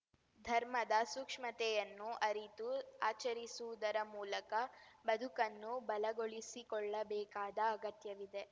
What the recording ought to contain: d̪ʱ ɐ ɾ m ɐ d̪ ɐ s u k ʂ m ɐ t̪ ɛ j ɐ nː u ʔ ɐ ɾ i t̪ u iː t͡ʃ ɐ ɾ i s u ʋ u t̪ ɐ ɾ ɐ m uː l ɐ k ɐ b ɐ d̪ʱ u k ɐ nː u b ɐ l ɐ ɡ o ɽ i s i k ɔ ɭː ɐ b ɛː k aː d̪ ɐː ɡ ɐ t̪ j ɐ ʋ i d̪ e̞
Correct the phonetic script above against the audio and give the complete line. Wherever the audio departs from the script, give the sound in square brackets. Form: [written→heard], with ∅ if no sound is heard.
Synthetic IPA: d̪ʱ ɐ ɾ m ɐ d̪ ɐ s u k ʂ m ɐ t̪ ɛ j ɐ nː u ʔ ɐ ɾ i t̪ u [iː→aː] t͡ʃ ɐ ɾ i s u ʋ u [t̪→d̪] ɐ ɾ ɐ m uː l ɐ k ɐ b ɐ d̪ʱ u k ɐ nː u b ɐ l ɐ ɡ o [ɽ→ɭ] i s i k ɔ ɭː ɐ b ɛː k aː d̪ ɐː ɡ ɐ t̪ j ɐ ʋ i d̪ e̞

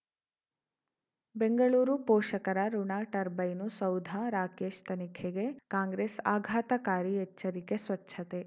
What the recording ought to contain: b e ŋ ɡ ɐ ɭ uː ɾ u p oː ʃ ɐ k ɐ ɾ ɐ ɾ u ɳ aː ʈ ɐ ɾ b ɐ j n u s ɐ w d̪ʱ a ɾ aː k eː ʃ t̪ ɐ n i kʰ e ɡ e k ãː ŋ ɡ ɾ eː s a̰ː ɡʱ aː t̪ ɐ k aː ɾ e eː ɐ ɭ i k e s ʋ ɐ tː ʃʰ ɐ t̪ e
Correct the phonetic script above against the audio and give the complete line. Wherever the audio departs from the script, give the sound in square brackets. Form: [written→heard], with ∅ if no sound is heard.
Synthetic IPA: b e ŋ ɡ ɐ ɭ uː ɾ u p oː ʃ ɐ k ɐ ɾ ɐ ɾ u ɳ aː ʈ ɐ ɾ b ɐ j n u s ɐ w d̪ʱ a ɾ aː k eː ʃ t̪ ɐ n i kʰ e ɡ e k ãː ŋ ɡ ɾ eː s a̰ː ɡʱ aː t̪ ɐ k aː ɾ [e→i] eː ɐ [ɭ→ɾ] i k e s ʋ ɐ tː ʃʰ ɐ t̪ e

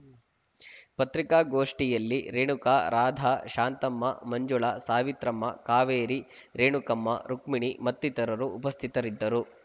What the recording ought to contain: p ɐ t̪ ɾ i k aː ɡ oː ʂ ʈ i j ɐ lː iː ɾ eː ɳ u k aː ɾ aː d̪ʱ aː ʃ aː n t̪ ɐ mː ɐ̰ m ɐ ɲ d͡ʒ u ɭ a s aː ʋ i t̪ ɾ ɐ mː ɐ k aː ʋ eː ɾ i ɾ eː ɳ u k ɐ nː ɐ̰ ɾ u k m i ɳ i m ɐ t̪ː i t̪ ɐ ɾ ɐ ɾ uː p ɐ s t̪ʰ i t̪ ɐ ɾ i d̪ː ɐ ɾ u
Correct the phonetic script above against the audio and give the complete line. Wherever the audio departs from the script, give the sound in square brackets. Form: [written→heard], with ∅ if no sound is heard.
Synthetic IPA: p ɐ t̪ ɾ i k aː ɡ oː ʂ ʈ i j ɐ lː [iː→i] ɾ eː ɳ u k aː ɾ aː d̪ʱ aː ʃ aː n t̪ ɐ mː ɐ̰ m ɐ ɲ d͡ʒ u ɭ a s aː ʋ i t̪ ɾ ɐ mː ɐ k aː ʋ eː ɾ i ɾ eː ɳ u k ɐ [nː→mː] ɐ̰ ɾ u k m i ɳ i m ɐ t̪ː i t̪ ɐ ɾ ɐ ɾ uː p ɐ s t̪ʰ i t̪ ɐ ɾ i d̪ː ɐ ɾ u

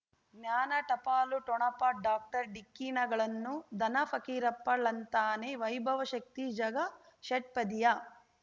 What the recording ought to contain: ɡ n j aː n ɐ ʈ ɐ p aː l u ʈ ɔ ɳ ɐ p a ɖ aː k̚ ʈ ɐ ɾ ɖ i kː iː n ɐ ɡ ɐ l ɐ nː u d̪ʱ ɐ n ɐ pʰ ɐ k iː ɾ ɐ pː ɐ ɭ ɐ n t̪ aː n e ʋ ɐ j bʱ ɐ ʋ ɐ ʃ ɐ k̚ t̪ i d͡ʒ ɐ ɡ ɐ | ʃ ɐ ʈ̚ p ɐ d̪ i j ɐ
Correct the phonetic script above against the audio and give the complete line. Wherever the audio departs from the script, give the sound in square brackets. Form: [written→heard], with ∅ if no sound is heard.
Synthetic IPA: ɡ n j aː n ɐ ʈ ɐ p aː l u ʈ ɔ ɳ ɐ p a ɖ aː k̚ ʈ ɐ ɾ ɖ i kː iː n ɐ ɡ ɐ [l→ɭ] ɐ nː u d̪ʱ ɐ n ɐ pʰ ɐ k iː ɾ ɐ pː ɐ ɭ ɐ n t̪ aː n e ʋ ɐ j bʱ ɐ ʋ ɐ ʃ ɐ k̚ t̪ i d͡ʒ ɐ ɡ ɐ | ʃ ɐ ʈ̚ p ɐ d̪ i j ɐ

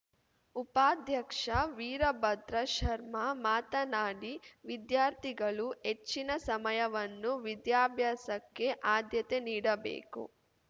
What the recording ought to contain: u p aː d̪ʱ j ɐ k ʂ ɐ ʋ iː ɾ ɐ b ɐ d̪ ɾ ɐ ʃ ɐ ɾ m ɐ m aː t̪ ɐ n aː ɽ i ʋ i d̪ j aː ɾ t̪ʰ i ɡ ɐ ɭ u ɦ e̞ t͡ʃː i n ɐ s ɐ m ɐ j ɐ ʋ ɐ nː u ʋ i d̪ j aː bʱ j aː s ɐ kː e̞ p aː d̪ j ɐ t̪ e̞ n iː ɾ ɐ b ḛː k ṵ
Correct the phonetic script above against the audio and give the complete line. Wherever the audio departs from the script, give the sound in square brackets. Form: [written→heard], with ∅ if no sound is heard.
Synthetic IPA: u p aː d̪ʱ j ɐ k ʂ ɐ ʋ iː ɾ ɐ b ɐ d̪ ɾ ɐ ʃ ɐ ɾ m ɐ m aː t̪ ɐ n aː ɽ i ʋ i d̪ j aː ɾ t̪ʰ i ɡ ɐ ɭ u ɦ e̞ t͡ʃː i n ɐ s ɐ m ɐ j ɐ ʋ ɐ nː u ʋ i d̪ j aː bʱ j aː s ɐ kː e̞ [p→ʔ] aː d̪ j ɐ t̪ e̞ n iː [ɾ→ɽ] ɐ b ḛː k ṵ

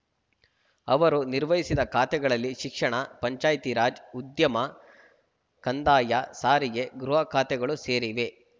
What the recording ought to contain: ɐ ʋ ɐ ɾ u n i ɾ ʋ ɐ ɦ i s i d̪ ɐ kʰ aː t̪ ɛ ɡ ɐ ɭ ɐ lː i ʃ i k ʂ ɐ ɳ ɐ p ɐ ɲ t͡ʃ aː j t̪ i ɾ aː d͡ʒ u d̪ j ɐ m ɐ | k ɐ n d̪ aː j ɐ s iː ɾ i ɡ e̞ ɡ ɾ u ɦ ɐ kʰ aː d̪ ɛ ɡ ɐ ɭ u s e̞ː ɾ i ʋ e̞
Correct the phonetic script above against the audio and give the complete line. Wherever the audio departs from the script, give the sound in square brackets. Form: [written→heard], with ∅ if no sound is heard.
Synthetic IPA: ɐ ʋ ɐ ɾ u n i ɾ ʋ ɐ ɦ i s i d̪ ɐ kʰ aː t̪ ɛ ɡ ɐ ɭ ɐ lː i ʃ i k ʂ ɐ ɳ ɐ p ɐ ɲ t͡ʃ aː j t̪ i ɾ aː d͡ʒ u d̪ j ɐ m ɐ | k ɐ n d̪ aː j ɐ s [iː→aː] ɾ i ɡ e̞ ɡ ɾ u ɦ ɐ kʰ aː [d̪→t̪] ɛ ɡ ɐ ɭ u s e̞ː ɾ i ʋ e̞

